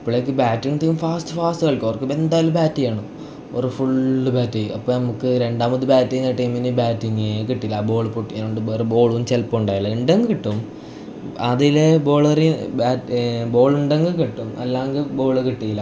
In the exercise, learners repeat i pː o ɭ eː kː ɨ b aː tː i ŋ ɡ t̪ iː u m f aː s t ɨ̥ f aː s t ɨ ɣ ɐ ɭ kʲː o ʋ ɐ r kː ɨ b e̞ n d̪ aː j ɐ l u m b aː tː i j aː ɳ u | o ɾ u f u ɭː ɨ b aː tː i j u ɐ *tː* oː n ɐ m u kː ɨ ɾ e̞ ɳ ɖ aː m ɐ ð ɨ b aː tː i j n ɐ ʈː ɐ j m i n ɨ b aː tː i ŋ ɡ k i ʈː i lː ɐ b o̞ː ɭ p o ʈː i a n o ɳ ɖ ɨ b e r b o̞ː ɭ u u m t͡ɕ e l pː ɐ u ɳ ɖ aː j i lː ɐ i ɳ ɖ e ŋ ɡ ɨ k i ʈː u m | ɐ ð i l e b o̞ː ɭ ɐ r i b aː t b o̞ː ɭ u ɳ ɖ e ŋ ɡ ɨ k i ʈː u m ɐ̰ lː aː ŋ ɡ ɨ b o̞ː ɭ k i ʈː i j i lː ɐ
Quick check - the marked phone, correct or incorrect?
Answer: incorrect: pː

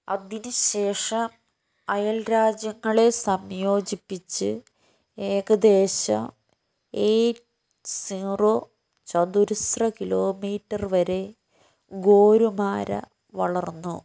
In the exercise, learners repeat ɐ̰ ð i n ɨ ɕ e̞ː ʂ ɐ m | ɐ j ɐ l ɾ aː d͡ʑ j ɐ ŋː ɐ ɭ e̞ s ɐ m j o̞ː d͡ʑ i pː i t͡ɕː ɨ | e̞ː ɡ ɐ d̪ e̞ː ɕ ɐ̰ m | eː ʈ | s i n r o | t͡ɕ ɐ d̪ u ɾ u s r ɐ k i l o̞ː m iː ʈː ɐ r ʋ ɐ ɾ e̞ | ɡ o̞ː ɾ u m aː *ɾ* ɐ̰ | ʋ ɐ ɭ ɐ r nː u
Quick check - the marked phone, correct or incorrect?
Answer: correct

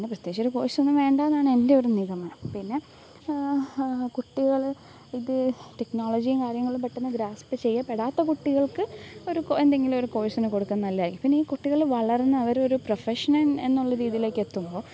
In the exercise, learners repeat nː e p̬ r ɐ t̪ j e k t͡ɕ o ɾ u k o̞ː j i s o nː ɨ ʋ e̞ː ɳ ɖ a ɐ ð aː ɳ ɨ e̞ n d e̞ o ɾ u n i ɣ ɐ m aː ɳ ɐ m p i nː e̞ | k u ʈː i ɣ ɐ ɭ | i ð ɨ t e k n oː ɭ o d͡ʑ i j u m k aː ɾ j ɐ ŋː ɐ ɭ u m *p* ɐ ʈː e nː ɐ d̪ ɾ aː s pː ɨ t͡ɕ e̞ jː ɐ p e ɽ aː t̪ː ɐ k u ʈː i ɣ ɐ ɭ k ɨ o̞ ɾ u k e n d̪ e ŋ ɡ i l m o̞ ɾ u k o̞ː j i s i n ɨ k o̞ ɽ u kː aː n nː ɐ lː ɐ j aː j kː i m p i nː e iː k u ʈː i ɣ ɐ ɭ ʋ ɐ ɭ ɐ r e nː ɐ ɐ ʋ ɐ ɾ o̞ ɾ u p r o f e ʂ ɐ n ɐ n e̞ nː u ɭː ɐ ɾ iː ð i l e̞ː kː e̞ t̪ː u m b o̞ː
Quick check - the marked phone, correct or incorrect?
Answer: correct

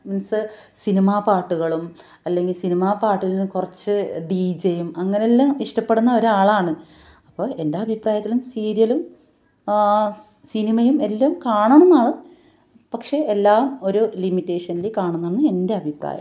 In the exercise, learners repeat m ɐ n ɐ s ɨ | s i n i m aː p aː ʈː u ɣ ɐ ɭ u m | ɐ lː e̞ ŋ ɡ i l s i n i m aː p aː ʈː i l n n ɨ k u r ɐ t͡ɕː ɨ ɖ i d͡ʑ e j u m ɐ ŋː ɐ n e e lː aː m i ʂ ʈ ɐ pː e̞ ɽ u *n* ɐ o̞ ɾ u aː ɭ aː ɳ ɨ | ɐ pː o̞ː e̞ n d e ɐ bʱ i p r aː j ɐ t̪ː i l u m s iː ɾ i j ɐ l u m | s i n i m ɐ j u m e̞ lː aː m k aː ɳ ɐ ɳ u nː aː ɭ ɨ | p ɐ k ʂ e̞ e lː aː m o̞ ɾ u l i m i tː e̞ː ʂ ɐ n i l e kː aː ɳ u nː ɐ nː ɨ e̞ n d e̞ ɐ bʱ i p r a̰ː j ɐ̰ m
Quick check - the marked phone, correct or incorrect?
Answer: incorrect: nː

